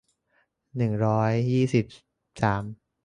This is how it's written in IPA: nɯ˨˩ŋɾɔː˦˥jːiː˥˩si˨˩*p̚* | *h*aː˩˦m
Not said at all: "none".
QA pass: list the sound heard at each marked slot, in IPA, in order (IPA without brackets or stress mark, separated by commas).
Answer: p̚, s